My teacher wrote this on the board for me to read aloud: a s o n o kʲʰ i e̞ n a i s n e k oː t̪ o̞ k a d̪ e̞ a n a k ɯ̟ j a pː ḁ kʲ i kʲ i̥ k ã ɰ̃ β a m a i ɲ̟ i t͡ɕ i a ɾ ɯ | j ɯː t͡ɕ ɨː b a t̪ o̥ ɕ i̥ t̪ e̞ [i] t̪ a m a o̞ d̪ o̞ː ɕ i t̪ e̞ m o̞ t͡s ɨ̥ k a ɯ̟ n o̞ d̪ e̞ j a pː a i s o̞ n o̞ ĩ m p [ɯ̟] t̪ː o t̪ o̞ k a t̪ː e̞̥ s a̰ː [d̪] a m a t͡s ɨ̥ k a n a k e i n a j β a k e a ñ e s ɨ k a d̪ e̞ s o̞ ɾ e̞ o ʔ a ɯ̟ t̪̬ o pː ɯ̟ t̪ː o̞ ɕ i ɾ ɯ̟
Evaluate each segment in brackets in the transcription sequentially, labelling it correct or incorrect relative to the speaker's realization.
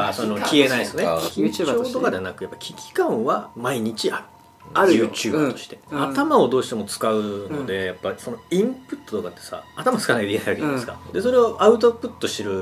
incorrect: a, correct, incorrect: t̪

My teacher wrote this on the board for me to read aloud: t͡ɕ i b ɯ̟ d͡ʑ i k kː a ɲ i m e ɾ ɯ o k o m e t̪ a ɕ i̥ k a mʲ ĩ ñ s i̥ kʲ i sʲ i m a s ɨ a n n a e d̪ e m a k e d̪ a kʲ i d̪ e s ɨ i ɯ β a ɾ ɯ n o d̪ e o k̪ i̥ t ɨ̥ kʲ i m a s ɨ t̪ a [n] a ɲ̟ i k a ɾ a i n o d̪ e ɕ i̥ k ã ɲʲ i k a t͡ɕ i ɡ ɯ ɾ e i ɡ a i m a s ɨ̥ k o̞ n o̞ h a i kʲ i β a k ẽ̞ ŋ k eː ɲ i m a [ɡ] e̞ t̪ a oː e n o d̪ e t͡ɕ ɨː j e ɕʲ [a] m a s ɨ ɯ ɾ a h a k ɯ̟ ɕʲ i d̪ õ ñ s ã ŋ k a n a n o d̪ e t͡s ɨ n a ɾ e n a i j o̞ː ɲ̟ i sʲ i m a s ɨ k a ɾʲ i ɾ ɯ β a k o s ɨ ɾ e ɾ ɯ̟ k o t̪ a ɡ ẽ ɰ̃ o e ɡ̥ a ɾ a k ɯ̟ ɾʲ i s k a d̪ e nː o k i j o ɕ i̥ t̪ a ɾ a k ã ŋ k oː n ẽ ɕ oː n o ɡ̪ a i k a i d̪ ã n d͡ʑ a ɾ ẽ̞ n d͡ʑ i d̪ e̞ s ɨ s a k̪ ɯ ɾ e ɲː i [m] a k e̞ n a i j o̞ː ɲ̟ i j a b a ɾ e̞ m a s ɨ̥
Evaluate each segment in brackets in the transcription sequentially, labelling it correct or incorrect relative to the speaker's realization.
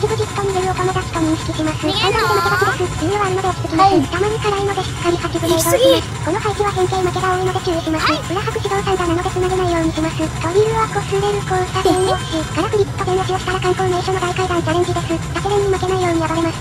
incorrect: m, incorrect: k, incorrect: i, correct

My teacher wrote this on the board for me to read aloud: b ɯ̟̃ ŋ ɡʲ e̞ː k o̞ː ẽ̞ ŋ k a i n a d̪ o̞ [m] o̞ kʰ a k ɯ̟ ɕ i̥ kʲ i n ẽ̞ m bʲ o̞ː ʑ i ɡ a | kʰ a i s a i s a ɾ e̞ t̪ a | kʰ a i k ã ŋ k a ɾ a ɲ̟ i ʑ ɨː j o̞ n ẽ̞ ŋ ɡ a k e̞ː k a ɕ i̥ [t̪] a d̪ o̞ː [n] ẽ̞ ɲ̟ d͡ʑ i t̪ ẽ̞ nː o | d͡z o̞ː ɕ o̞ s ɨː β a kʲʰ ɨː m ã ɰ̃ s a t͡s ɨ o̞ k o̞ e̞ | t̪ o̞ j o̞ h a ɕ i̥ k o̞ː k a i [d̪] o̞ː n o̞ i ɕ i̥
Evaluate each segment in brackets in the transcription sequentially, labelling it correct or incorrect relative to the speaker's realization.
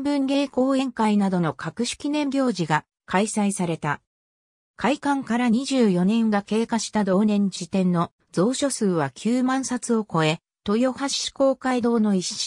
incorrect: n, correct, correct, correct

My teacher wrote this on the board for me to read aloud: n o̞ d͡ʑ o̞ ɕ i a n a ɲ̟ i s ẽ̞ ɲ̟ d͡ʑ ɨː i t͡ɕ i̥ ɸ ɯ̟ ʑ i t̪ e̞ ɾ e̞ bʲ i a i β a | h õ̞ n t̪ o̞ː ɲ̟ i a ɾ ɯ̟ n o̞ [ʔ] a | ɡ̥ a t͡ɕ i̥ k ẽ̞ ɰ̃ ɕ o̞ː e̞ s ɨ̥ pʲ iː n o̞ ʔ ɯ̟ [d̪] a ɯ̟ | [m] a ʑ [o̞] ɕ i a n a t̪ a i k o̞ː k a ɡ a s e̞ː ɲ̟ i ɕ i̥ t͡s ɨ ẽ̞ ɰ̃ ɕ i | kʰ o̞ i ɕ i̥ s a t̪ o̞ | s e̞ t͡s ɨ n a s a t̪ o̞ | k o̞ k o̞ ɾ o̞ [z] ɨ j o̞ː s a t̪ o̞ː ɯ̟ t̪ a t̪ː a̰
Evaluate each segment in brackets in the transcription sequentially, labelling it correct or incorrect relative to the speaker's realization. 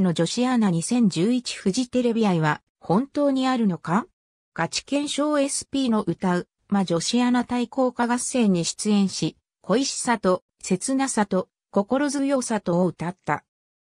incorrect: k, incorrect: t̪, correct, correct, correct

